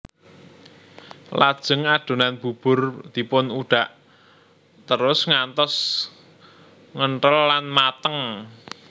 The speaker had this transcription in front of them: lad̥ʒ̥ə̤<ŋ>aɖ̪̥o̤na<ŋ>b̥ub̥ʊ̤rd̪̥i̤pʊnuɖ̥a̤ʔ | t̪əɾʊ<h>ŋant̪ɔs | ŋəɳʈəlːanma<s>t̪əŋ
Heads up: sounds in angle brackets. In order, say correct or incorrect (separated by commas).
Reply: correct, incorrect, incorrect, incorrect